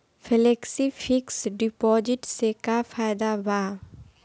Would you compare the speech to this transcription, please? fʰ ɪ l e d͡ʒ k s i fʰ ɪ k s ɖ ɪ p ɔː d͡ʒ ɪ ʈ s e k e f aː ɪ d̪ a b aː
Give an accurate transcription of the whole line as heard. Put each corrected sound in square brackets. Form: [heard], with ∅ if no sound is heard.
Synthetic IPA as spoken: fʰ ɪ l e [∅] k s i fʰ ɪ k s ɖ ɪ p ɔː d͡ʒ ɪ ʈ s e k [a] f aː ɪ d̪ a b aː